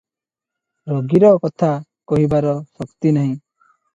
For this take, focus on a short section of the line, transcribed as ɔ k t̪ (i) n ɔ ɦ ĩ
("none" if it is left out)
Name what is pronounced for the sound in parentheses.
i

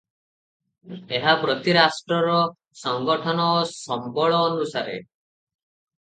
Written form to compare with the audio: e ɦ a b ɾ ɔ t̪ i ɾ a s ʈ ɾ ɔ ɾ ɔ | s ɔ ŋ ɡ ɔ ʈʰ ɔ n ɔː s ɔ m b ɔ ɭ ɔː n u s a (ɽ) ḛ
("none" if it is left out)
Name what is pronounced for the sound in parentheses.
ɾ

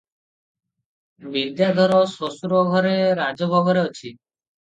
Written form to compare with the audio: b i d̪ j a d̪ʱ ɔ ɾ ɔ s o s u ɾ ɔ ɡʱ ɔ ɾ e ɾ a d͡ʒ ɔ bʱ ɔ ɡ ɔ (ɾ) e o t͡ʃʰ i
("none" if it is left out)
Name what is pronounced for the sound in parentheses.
ɾ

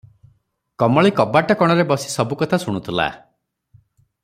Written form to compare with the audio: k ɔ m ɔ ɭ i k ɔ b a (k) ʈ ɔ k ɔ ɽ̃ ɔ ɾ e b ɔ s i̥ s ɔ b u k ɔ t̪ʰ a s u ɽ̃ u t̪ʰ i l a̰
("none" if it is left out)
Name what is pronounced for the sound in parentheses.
none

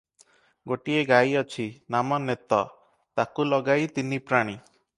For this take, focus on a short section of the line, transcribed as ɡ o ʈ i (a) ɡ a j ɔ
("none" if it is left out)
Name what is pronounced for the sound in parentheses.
e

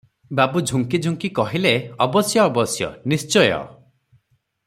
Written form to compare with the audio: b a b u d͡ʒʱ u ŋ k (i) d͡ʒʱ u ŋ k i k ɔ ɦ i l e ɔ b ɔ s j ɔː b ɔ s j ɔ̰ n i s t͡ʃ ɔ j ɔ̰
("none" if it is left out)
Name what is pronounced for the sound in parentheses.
i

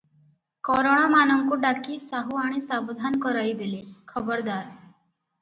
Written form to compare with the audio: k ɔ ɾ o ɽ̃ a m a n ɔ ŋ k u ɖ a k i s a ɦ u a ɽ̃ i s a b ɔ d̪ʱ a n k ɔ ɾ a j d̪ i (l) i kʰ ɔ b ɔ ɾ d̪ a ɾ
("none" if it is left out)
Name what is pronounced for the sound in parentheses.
l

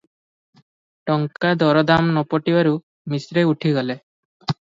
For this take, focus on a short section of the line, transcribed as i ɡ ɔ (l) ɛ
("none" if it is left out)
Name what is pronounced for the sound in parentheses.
l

